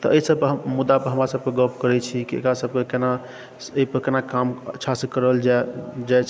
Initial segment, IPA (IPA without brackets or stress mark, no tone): t̪